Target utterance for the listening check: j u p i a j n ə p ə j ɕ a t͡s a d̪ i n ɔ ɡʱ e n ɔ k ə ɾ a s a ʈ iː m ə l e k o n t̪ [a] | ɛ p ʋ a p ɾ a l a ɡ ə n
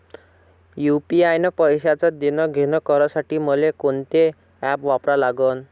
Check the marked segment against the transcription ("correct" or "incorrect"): incorrect